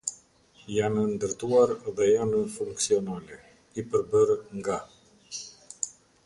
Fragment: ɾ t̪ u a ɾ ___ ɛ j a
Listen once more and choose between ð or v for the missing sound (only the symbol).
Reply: ð